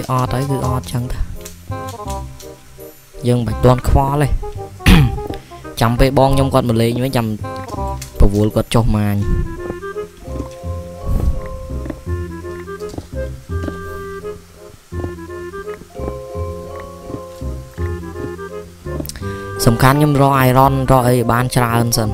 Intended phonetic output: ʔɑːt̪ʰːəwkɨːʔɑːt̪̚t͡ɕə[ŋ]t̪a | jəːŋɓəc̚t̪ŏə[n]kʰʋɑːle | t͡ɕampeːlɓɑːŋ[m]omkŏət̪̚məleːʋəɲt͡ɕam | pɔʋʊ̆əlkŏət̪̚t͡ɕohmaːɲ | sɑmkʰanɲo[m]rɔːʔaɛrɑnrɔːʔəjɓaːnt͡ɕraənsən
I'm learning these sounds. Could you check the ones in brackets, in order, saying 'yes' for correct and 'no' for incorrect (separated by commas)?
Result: yes, yes, no, yes